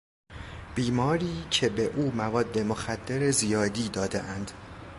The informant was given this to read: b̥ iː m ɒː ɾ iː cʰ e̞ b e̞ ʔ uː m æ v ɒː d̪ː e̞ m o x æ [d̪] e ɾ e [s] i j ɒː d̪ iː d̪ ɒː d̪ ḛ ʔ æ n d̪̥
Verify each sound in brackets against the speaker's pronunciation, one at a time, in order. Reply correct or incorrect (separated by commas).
incorrect, incorrect